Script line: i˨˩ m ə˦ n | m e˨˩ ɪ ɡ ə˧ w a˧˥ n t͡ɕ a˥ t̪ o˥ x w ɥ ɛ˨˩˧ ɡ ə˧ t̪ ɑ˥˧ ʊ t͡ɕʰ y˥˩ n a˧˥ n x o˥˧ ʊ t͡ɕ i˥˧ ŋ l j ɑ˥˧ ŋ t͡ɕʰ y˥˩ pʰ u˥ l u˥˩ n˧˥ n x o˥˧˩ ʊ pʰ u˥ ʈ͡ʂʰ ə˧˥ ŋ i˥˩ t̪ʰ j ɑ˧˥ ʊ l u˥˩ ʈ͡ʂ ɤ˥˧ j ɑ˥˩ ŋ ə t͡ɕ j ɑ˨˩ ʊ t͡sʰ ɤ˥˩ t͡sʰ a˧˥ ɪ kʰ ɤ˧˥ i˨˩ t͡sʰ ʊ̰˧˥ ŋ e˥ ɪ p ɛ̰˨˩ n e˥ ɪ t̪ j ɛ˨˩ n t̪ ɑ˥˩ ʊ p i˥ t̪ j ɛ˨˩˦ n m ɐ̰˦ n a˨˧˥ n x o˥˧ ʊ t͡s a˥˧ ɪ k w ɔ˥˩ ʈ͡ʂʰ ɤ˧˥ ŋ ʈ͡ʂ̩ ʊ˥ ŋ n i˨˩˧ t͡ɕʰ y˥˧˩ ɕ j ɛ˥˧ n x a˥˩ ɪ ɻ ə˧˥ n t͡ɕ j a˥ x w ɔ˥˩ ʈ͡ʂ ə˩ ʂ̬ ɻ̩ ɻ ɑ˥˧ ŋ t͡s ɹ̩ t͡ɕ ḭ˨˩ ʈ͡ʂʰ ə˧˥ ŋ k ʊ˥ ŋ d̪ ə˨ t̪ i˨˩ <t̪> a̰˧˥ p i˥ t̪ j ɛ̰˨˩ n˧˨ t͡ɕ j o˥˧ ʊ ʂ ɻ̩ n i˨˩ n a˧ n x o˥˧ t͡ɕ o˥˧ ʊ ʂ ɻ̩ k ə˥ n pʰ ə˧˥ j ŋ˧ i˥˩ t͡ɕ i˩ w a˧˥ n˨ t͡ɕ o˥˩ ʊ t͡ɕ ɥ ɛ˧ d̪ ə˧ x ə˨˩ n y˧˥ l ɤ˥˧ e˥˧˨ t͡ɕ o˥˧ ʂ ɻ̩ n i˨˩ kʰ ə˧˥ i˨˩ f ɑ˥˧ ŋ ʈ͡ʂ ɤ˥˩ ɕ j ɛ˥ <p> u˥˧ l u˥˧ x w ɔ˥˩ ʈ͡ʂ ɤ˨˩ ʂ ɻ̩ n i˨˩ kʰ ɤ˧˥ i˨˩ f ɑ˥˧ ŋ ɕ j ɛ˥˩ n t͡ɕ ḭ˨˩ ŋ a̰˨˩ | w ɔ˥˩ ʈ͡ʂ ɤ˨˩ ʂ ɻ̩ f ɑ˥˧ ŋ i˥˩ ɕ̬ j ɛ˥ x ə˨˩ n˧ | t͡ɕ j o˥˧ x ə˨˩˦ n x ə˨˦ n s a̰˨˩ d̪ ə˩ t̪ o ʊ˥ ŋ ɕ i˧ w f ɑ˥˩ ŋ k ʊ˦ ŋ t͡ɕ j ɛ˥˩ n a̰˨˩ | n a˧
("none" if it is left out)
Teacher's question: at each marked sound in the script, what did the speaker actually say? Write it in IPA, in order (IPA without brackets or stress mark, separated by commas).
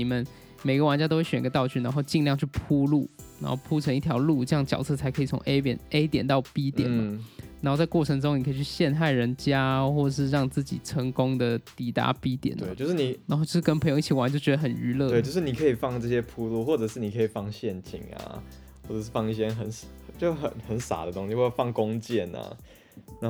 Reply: t̪, pʰ